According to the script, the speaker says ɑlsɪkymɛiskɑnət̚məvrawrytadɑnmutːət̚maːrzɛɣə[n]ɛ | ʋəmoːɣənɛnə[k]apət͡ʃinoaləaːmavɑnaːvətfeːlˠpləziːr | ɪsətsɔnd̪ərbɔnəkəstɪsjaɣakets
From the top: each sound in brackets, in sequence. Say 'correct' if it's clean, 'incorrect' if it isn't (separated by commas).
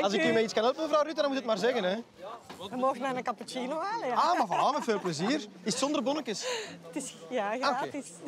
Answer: correct, correct